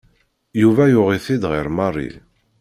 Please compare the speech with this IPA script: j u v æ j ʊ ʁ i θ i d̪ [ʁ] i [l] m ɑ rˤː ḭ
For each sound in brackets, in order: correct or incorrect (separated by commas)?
correct, incorrect